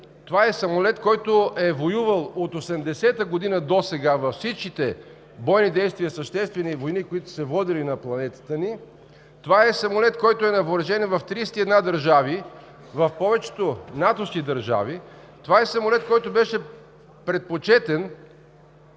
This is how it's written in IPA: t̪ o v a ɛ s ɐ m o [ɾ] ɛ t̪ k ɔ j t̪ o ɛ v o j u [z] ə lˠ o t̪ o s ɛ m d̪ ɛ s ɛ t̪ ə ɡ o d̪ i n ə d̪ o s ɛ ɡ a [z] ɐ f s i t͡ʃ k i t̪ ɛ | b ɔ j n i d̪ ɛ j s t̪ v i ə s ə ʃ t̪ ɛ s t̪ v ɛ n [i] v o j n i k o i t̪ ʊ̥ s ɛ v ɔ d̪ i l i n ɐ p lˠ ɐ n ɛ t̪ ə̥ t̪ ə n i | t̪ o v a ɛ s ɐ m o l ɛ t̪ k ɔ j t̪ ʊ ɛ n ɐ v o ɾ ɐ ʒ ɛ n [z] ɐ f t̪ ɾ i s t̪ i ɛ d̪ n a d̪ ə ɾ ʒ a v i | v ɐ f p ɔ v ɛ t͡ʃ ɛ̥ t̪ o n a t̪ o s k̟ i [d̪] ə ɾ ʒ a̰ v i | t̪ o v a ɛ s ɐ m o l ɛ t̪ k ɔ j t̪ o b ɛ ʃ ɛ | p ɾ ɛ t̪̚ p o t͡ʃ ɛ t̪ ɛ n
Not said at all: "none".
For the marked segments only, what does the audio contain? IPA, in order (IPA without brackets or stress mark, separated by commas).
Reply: l, v, v, i, v, d̪